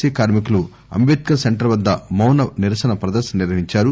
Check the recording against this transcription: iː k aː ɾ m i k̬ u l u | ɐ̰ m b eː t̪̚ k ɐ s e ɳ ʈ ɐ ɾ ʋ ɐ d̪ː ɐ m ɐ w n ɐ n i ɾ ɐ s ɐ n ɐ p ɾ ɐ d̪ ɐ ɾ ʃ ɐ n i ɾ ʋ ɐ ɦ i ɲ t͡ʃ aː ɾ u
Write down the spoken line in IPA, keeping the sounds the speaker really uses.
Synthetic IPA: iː k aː ɾ m i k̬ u l u | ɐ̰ m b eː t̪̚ k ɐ s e ɳ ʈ ɐ ɾ ʋ ɐ d̪ː ɐ m ɐ w n ɐ n i ɾ ɐ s ɐ n ɐ p ɾ ɐ d̪ ɐ ɾ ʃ ɐ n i ɾ ʋ ɐ ɦ i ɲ t͡ʃ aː ɾ u

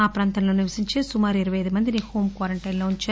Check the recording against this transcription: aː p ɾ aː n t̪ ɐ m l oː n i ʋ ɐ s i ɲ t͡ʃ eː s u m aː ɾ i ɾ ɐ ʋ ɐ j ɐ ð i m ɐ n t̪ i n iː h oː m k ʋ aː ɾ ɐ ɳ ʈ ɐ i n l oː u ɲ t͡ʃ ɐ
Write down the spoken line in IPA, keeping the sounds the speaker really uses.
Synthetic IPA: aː p ɾ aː n t̪ ɐ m l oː n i ʋ ɐ s i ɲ t͡ʃ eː s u m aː ɾ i ɾ ɐ ʋ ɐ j ɐ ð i m ɐ n d̪ i n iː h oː m k ʋ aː ɾ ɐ ɳ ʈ ɐ j n l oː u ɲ t͡ʃ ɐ

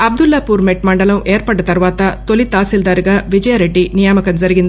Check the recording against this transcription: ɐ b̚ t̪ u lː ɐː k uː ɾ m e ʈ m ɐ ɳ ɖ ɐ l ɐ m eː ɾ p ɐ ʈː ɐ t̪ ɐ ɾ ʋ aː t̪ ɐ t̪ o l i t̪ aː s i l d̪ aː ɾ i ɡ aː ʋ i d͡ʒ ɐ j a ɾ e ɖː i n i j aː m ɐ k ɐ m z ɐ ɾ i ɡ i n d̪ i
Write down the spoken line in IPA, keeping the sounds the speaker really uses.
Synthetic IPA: ɐ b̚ d̪ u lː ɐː p uː ɾ m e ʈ m ɐ ɳ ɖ ɐ l ɐ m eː ɾ p ɐ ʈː ɐ t̪ ɐ ɾ ʋ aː t̪ ɐ t̪ o l i t̪ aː s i l d̪ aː ɾ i ɡ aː ʋ i d͡ʒ ɐ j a ɾ e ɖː i n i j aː m ɐ k ɐ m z ɐ ɾ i ɡ i n d̪ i

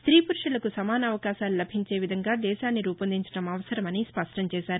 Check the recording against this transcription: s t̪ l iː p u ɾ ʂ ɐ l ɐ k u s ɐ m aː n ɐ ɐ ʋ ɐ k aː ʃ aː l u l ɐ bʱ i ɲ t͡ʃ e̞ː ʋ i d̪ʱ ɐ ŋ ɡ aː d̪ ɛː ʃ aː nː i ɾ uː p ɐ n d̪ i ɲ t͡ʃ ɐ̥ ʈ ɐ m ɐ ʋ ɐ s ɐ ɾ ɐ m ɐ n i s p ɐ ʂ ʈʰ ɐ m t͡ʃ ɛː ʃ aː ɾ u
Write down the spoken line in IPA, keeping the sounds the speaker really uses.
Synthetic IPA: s t̪ ɾ iː p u ɾ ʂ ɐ l ɐ k u s ɐ m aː n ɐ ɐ ʋ ɐ k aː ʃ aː l u l ɐ bʱ i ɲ t͡ʃ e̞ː ʋ i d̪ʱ ɐ ŋ ɡ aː d̪ ɛː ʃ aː nː i ɾ uː p ɐ n d̪ i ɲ t͡ʃ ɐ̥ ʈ ɐ m ɐ ʋ ɐ s ɐ ɾ ɐ m ɐ n i s p ɐ ʂ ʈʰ ɐ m t͡ʃ ɛː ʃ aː ɾ u

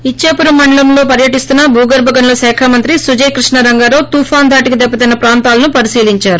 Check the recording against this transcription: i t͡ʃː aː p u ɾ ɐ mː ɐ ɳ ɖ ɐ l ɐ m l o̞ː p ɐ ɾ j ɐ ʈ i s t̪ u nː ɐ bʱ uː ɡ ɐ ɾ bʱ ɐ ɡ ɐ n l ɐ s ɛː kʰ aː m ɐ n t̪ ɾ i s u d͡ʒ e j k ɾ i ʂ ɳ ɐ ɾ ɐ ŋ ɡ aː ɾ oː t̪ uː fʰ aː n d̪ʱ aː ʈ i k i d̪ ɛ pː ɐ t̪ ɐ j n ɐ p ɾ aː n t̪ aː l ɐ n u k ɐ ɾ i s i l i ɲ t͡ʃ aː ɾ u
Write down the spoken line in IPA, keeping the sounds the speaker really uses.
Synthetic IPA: i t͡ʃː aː p u ɾ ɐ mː ɐ ɳ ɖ ɐ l ɐ m l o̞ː p ɐ ɾ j ɐ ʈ i s t̪ u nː ɐ bʱ uː ɡ ɐ ɾ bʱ ɐ ɡ ɐ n l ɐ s ɛː kʰ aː m ɐ n t̪ ɾ i s u d͡ʒ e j k ɾ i ʂ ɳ ɐ ɾ ɐ ŋ ɡ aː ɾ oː t̪ uː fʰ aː n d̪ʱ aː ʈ i k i d̪ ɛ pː ɐ t̪ ɐ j n ɐ p ɾ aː n t̪ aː l ɐ n u p ɐ ɾ i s iː l i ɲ t͡ʃ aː ɾ u

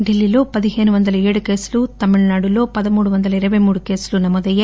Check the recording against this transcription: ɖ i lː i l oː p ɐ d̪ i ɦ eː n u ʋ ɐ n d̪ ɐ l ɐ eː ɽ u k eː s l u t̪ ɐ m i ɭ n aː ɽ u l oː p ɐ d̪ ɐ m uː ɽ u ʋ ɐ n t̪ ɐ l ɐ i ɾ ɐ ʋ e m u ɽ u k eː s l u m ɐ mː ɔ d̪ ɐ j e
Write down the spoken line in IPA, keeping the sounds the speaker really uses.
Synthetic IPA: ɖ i lː i l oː p ɐ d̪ i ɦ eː n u ʋ ɐ n d̪ ɐ l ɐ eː ɽ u k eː s l u t̪ ɐ m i ɭ n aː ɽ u l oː p ɐ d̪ ɐ m uː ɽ u ʋ ɐ n d̪ ɐ l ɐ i ɾ ɐ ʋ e m uː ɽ u k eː s l u n ɐ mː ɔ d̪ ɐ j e

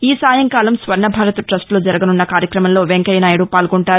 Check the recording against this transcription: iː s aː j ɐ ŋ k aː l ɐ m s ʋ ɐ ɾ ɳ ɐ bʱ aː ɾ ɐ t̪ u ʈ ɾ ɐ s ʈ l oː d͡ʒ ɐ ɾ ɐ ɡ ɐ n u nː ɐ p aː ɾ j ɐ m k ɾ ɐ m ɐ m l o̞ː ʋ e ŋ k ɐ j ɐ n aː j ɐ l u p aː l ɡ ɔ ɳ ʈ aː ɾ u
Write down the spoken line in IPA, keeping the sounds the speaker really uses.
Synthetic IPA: iː s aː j ɐ ŋ k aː l ɐ m s ʋ ɐ ɾ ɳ ɐ bʱ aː ɾ ɐ t̪ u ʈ ɾ ɐ s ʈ l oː d͡ʒ ɐ ɾ ɐ ɡ ɐ n u nː ɐ k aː ɾ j ɐ k ɾ ɐ m ɐ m l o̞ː ʋ e ŋ k ɐ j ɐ n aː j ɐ ɽ u p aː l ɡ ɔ ɳ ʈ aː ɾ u

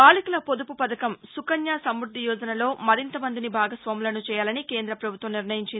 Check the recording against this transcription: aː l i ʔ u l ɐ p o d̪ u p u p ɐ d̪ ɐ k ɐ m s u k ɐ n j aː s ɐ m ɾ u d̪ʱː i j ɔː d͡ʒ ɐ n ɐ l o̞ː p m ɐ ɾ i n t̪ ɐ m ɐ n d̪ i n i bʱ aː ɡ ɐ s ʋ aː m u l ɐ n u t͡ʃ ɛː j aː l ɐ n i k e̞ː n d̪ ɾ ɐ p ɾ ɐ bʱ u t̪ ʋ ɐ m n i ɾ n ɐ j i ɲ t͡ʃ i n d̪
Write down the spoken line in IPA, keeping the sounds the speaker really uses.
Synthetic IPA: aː l i k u l ɐ p o d̪ u p u p ɐ d̪ ɐ k ɐ m s u k ɐ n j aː s ɐ m ɾ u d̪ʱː i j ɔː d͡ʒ ɐ n ɐ l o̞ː m ɐ ɾ i n t̪ ɐ m ɐ n d̪ i n i bʱ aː ɡ ɐ s ʋ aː m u l ɐ n u t͡ʃ ɛː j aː l ɐ n i k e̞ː n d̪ ɾ ɐ p ɾ ɐ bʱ u t̪ ʋ ɐ m n i ɾ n ɐ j i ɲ t͡ʃ i n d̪

